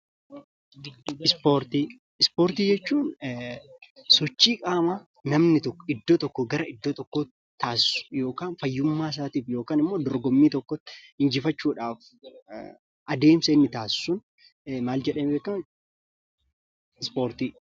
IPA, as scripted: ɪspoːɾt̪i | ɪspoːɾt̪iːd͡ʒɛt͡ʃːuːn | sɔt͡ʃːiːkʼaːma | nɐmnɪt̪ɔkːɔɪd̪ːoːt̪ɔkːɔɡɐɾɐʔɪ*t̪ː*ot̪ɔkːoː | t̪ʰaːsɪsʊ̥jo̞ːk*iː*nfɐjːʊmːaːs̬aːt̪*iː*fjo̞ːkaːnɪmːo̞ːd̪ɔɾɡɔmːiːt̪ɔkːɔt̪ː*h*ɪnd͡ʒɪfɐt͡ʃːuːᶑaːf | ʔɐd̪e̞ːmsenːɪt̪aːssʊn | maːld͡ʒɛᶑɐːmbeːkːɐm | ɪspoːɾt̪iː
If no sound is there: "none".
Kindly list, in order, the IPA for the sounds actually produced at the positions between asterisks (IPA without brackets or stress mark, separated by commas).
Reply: d̪ː, aː, iː, h